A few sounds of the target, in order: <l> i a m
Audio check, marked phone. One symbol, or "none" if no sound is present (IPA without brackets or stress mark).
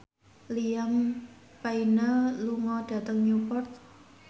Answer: l